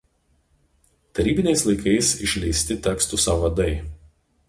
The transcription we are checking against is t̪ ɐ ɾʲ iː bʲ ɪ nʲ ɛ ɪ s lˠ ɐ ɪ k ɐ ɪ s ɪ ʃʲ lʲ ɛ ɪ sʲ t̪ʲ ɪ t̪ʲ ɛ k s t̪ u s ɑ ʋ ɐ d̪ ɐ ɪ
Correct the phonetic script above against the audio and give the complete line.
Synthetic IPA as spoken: t̪ ɐ ɾʲ iː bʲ ɪ nʲ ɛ ɪ s lˠ ɐ ɪ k ɐ ɪ s ɪ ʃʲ lʲ ɛ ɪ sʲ t̪ʲ ɪ t̪ʲ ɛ k s t̪ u s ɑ ʋ ɐ d̪ ɐ ɪ